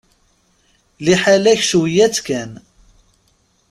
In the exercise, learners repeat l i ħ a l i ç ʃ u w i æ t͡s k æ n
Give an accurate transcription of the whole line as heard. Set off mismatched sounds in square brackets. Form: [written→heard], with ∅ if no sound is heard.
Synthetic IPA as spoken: l i ħ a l [i→æ] ç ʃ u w [i→j] æ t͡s k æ n